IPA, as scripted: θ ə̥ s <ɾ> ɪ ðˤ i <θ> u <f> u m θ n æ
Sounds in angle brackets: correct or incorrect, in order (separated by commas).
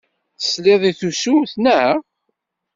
incorrect, correct, incorrect